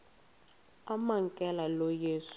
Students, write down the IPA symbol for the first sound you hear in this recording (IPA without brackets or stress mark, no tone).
a